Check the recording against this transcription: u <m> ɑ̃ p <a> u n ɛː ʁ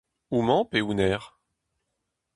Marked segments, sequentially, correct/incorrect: correct, incorrect

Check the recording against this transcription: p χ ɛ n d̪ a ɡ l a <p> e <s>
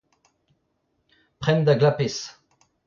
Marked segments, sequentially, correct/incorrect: correct, correct

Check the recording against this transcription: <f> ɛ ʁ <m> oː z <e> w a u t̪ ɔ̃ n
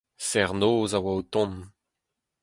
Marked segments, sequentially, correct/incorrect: incorrect, incorrect, incorrect

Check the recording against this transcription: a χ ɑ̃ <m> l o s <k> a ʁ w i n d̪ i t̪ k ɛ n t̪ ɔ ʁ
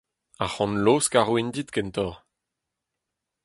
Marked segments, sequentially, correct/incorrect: incorrect, correct

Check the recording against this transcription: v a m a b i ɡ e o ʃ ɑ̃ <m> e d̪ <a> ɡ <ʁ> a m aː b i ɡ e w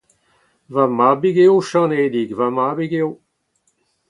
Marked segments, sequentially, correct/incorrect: incorrect, incorrect, incorrect

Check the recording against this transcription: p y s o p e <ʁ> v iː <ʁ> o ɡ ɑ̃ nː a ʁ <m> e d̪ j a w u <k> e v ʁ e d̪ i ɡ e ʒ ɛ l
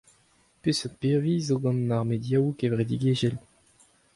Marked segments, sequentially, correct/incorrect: correct, incorrect, correct, correct

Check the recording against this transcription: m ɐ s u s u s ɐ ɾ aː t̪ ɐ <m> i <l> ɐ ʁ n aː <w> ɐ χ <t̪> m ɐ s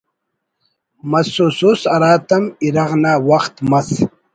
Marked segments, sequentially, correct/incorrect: correct, incorrect, correct, correct

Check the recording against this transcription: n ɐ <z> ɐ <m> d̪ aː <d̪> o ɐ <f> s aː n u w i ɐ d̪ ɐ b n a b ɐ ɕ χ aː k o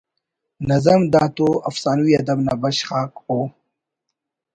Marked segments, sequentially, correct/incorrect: correct, correct, incorrect, correct

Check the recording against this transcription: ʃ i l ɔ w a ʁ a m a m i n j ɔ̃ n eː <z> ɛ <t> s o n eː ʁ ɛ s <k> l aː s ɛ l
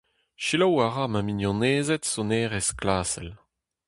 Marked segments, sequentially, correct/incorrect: correct, correct, correct

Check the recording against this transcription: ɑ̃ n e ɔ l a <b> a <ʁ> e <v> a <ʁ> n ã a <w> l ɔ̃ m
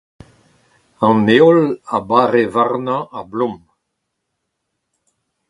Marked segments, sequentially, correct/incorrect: correct, correct, correct, correct, incorrect

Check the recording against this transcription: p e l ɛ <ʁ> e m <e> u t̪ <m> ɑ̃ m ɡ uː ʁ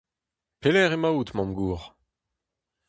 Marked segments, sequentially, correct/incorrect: correct, incorrect, correct

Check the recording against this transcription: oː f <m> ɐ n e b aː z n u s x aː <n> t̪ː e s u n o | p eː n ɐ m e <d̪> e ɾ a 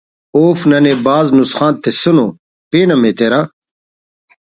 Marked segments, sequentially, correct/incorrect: incorrect, correct, incorrect

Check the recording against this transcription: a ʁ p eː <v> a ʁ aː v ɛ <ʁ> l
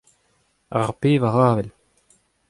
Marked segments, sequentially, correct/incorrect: correct, incorrect

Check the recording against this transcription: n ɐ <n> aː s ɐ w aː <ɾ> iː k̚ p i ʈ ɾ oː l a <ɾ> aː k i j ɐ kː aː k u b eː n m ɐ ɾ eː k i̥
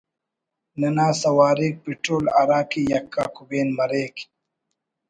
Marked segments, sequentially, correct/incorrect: correct, correct, correct

